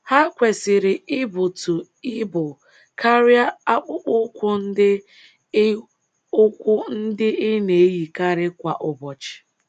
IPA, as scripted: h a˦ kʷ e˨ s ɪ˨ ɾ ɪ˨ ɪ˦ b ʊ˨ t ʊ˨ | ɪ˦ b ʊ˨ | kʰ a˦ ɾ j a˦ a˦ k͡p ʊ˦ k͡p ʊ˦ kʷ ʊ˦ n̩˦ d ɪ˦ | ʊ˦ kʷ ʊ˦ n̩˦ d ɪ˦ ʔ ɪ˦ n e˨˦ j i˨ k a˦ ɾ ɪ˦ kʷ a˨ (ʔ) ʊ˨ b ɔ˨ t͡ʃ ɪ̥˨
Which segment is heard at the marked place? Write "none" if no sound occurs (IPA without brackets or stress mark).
ʔ